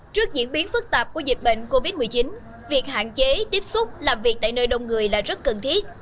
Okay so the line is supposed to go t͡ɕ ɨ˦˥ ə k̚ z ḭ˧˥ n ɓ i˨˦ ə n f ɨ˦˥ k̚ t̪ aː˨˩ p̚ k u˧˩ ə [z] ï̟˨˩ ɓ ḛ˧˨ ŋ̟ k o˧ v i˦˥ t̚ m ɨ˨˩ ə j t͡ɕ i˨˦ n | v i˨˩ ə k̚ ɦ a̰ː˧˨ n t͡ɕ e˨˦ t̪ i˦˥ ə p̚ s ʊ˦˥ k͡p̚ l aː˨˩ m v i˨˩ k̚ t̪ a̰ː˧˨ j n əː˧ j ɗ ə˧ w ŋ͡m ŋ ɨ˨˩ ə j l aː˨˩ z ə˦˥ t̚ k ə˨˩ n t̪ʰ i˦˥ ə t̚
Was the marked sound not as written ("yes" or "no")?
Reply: no